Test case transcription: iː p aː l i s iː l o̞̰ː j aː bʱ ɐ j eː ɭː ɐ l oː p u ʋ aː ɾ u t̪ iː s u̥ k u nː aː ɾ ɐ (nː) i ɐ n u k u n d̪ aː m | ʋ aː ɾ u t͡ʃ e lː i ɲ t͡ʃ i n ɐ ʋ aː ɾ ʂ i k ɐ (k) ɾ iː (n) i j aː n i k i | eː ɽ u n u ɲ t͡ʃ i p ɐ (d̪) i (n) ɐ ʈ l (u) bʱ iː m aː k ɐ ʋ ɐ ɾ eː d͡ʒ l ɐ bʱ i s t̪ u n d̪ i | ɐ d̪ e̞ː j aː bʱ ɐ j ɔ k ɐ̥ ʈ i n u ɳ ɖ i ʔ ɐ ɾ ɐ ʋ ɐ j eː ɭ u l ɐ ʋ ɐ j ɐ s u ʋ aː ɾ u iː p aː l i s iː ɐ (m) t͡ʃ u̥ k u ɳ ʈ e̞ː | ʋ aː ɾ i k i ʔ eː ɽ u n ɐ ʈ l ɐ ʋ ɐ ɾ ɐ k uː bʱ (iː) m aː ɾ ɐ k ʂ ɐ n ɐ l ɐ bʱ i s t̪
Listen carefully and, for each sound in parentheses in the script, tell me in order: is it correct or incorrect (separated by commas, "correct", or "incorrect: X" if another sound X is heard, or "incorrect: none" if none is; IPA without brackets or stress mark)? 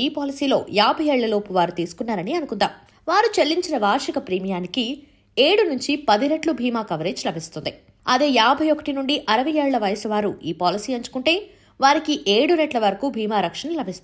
incorrect: n, incorrect: p, incorrect: m, correct, correct, correct, incorrect: ɲ, correct